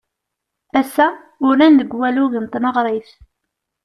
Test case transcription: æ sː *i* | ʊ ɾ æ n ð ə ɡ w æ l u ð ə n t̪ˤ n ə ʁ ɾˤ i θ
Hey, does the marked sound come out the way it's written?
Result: no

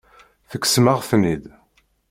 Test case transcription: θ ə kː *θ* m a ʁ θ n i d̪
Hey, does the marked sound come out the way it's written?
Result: no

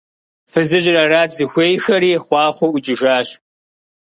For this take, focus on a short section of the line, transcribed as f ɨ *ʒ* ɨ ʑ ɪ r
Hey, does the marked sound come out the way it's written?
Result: no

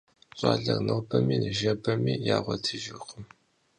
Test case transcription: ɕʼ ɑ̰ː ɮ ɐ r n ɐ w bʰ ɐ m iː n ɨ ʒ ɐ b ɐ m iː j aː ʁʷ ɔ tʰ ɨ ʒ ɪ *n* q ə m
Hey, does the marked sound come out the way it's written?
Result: no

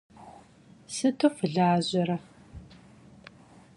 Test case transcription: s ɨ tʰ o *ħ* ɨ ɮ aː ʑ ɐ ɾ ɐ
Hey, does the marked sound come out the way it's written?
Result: no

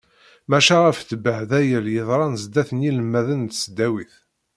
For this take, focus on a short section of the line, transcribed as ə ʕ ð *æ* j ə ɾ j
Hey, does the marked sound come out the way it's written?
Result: yes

